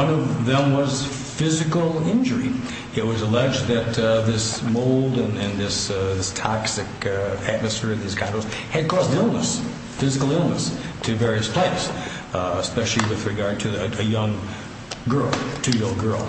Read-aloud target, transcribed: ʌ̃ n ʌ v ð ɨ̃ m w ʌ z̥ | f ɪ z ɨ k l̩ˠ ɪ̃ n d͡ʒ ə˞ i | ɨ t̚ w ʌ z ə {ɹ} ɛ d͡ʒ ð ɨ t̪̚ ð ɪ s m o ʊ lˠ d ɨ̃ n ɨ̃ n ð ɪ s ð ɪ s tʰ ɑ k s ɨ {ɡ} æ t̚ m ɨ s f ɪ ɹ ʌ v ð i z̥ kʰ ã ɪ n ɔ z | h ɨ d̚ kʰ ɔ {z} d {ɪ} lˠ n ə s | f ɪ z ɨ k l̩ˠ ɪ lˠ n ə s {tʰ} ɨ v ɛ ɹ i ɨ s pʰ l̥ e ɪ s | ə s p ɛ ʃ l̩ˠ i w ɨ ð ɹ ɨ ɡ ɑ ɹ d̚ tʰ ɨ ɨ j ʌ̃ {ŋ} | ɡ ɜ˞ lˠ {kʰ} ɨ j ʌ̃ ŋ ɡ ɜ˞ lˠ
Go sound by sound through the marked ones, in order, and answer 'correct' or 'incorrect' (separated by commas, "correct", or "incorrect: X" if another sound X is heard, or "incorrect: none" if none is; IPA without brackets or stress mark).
incorrect: l, incorrect: k, correct, correct, correct, correct, incorrect: tʰ